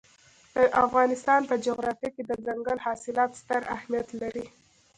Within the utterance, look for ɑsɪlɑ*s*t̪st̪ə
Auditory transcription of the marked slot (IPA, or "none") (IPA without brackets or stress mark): none